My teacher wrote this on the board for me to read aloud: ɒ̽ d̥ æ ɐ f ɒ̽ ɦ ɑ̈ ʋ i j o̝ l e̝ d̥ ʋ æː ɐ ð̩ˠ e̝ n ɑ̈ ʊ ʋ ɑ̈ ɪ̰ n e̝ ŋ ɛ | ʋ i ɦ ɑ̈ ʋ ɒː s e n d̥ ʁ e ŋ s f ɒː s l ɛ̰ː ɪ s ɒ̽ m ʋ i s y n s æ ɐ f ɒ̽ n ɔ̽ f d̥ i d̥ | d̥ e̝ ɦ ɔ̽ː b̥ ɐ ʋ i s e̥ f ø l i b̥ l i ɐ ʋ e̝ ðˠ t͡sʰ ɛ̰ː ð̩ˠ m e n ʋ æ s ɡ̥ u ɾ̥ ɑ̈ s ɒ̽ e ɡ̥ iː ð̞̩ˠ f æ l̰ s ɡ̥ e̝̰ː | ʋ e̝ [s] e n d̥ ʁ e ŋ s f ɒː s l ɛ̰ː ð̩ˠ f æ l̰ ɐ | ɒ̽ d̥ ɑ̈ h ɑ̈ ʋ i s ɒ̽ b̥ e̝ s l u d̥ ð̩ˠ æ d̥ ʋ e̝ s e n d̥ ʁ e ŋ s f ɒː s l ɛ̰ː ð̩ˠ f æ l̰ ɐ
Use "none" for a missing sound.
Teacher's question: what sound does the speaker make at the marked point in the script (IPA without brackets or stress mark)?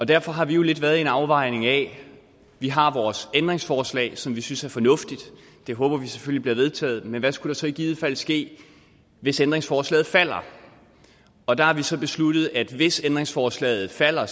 s